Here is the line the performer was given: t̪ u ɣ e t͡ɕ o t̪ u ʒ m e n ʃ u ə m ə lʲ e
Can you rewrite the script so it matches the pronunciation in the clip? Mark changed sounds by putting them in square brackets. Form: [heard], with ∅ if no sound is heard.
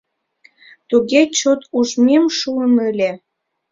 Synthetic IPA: t̪ u ɣ e t͡ɕ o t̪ u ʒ m e [m] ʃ u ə [n] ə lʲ e